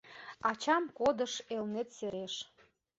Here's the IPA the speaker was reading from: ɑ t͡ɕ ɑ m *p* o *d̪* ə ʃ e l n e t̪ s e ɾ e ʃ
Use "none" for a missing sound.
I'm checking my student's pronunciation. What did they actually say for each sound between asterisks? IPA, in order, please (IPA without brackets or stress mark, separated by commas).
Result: k, d̪